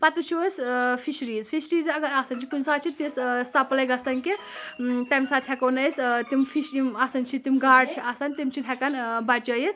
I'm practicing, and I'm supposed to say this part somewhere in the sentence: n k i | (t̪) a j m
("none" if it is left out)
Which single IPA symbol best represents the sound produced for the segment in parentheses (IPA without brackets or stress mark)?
t̪